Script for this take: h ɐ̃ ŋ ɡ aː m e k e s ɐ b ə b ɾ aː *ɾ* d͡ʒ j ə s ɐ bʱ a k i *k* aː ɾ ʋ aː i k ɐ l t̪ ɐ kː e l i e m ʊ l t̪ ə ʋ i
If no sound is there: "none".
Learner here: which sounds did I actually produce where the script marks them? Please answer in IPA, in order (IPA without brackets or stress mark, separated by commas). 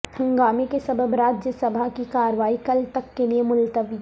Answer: none, k